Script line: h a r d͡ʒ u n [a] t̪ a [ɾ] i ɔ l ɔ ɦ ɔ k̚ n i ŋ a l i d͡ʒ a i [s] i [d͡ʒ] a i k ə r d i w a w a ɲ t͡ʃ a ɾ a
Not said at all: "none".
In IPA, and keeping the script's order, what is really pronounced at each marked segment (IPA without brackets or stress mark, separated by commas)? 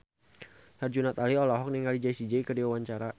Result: a, l, s, d͡ʒ